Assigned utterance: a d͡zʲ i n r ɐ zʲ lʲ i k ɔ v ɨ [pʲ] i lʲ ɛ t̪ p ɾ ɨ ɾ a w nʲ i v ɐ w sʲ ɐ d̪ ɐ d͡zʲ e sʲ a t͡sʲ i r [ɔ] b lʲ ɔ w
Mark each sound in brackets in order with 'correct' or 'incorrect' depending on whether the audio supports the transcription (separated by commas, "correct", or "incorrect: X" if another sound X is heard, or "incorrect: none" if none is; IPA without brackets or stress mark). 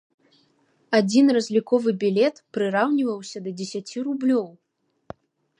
incorrect: bʲ, incorrect: u